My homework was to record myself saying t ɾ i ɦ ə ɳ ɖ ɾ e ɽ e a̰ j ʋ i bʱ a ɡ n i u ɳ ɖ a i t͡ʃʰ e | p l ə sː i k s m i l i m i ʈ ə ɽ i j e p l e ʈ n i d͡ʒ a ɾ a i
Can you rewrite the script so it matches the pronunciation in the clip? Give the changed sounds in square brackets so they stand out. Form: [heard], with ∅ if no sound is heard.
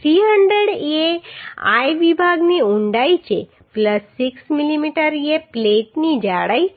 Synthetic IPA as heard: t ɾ i ɦ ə ɳ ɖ ɾ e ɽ e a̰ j ʋ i bʱ a ɡ n i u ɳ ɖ a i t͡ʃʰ e | p l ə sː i k s m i l i m i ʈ ə [ɾ] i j e p l e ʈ n i d͡ʒ a [ɽ] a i